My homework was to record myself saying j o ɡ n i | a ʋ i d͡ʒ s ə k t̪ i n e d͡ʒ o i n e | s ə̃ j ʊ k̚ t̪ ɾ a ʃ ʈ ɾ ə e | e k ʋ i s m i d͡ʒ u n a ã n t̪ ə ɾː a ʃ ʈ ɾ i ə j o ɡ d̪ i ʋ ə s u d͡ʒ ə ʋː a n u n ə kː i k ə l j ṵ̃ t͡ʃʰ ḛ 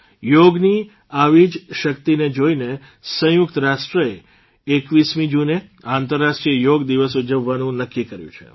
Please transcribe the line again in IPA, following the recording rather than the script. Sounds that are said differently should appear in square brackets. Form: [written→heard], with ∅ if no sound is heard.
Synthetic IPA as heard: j o ɡ n i | a ʋ i d͡ʒ [s→ʃ] ə k t̪ i n e d͡ʒ o i n e | s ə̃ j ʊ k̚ t̪ ɾ a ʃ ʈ ɾ ə e | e k ʋ i s m i d͡ʒ u n [a→e] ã n t̪ ə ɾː a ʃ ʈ ɾ i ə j o ɡ d̪ i ʋ ə s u d͡ʒ ə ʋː a n [u→ũ] n ə kː i k ə [l→ɾ] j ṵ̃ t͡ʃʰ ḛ